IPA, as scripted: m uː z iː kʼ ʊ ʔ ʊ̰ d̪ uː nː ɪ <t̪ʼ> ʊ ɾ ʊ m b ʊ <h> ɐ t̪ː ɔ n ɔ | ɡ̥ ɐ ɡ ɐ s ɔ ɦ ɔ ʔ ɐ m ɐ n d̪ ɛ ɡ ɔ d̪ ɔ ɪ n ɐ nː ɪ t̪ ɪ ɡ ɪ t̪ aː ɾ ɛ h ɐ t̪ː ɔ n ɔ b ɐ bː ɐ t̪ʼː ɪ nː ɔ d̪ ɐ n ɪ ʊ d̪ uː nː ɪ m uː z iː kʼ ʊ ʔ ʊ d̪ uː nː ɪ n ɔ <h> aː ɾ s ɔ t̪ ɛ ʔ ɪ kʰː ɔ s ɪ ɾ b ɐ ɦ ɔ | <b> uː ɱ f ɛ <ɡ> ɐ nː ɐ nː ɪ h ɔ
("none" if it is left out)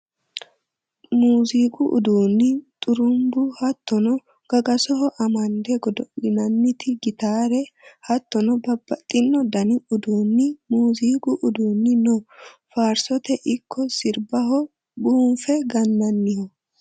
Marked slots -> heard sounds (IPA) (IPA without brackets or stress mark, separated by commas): t̪ʼ, h, f, b, ɡ